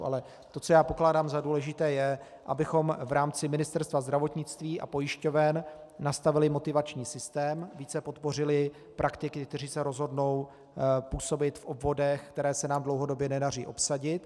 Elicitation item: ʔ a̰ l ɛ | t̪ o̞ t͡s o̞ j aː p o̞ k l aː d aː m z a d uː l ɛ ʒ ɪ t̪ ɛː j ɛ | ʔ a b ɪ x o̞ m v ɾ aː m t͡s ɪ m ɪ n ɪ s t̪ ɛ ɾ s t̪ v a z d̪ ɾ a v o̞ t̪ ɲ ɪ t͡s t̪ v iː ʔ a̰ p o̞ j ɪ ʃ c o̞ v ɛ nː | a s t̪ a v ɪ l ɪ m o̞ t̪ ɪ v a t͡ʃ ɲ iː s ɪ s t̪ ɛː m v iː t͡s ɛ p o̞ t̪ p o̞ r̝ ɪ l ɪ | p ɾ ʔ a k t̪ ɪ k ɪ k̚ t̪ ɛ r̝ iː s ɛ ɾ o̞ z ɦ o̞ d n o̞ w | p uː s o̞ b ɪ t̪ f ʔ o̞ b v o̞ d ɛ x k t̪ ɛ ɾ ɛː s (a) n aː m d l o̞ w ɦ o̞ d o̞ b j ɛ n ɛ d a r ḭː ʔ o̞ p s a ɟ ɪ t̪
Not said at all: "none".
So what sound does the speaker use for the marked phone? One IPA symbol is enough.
ɛ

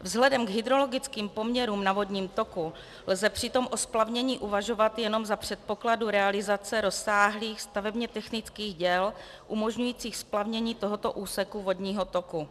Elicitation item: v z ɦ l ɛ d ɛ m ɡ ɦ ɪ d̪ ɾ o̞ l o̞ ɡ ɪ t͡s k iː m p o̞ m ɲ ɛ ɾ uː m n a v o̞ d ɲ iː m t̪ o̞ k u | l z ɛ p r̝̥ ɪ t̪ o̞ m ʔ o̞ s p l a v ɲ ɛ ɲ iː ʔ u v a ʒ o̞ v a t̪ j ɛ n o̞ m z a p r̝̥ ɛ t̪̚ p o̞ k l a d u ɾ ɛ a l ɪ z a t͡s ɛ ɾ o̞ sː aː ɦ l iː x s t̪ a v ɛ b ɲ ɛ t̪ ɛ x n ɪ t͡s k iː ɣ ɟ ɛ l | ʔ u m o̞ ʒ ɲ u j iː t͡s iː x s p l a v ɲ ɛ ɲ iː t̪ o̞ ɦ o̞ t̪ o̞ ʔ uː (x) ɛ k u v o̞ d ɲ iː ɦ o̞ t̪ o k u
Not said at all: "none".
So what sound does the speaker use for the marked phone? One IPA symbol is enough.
s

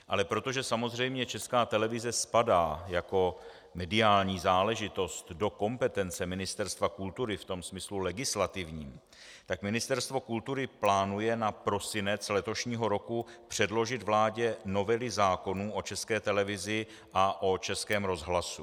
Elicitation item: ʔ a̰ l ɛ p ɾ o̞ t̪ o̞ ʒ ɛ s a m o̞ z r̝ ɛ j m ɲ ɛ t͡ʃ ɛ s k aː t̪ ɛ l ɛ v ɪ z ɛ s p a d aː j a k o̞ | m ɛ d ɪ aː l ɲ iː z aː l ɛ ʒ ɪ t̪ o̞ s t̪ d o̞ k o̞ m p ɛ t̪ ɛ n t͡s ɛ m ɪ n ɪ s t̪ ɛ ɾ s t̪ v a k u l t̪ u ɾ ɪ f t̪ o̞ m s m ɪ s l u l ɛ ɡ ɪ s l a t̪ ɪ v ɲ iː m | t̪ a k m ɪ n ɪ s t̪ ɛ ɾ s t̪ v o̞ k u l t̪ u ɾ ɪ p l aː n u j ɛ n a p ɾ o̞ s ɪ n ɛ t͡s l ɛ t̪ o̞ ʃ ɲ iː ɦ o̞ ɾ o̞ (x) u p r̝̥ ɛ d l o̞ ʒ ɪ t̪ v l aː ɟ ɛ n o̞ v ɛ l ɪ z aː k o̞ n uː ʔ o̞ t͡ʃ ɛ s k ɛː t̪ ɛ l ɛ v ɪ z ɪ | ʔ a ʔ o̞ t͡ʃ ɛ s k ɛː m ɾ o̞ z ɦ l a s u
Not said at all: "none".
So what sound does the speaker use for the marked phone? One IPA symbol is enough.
k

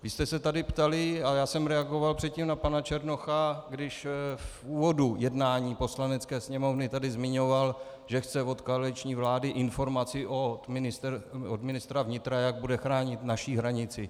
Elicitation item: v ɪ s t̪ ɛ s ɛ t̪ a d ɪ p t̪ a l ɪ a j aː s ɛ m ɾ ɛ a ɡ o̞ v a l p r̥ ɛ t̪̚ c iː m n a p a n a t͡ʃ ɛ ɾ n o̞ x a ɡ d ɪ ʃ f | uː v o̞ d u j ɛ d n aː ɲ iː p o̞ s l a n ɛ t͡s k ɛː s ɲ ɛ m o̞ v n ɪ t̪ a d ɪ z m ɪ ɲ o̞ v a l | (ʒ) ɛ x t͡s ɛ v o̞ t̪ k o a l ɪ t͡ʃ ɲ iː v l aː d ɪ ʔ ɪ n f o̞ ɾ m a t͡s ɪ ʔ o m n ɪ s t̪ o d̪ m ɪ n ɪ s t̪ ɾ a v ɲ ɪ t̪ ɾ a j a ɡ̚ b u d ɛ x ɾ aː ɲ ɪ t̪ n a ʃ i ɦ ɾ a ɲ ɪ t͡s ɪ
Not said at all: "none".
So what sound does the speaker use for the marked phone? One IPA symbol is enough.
ʒ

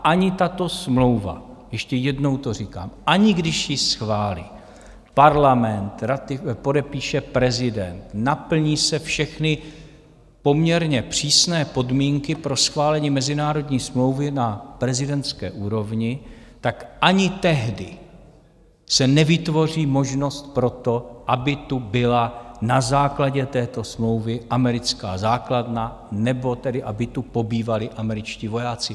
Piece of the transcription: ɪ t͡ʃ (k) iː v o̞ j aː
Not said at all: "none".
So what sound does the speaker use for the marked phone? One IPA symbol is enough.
c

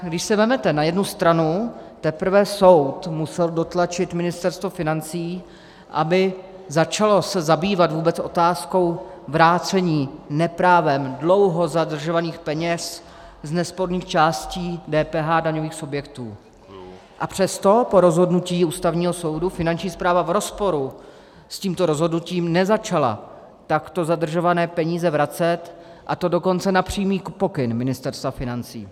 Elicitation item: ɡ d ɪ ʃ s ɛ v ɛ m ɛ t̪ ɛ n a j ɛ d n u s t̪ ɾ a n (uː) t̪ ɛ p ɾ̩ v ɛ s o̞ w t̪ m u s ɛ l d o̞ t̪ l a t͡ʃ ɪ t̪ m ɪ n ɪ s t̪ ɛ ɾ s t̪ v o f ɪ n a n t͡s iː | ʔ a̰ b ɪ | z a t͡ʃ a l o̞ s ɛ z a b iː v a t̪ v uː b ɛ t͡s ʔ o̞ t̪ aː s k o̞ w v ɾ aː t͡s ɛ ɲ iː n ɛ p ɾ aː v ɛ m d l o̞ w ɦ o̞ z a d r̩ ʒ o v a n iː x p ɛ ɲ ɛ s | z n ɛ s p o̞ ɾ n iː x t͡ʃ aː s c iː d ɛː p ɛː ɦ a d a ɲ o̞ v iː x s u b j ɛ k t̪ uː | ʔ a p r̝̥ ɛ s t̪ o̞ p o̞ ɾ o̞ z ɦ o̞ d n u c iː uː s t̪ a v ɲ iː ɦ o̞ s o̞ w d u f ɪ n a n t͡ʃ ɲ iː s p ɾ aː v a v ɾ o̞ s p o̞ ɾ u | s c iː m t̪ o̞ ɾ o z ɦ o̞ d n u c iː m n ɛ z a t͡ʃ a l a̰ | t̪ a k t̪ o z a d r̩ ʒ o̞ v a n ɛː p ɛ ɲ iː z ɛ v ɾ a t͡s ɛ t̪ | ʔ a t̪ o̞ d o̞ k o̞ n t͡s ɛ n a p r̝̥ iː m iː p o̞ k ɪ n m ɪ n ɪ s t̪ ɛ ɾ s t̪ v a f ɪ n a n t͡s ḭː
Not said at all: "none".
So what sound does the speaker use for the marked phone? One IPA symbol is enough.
u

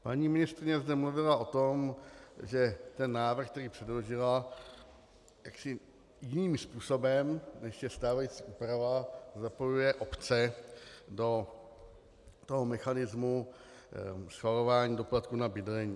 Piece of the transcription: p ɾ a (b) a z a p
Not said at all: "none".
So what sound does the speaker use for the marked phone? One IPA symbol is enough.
v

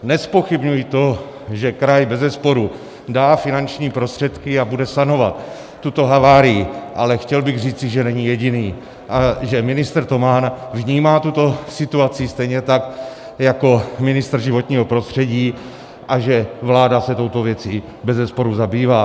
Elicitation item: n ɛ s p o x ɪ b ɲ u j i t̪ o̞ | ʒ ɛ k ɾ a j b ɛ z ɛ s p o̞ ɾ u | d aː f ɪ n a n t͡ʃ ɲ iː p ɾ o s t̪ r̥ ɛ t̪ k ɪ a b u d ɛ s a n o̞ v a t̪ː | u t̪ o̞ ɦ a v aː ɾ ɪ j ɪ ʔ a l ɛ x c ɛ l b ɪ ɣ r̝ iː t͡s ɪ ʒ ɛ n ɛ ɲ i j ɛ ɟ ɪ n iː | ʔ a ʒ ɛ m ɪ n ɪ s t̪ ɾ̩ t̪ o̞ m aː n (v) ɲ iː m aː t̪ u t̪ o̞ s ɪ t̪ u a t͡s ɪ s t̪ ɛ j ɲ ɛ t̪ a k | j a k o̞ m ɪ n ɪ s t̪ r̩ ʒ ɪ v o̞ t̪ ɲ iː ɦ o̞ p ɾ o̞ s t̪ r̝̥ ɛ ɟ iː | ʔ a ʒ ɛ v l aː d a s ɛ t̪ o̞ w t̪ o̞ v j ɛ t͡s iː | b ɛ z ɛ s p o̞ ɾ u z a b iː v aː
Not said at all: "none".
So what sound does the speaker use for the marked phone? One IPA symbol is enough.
v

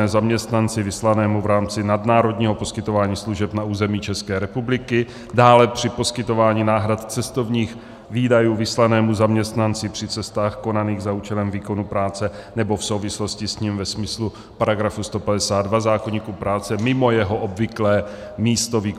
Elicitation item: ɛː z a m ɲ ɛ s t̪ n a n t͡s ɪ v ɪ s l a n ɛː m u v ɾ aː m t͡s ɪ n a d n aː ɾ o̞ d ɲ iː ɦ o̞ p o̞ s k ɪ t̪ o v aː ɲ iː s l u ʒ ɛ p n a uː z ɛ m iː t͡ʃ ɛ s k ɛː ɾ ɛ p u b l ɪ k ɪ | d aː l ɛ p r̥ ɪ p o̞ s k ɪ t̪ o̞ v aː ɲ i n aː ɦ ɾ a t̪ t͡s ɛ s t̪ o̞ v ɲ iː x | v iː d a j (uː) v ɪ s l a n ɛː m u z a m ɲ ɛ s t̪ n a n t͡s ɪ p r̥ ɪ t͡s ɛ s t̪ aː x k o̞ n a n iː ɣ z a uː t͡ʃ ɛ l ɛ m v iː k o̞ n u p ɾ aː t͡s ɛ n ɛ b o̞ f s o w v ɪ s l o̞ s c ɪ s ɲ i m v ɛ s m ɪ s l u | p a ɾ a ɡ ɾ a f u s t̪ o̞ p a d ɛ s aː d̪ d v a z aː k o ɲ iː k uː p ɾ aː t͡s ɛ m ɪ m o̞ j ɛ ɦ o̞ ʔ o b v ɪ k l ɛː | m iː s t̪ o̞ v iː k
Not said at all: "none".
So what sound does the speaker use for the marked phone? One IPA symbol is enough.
uː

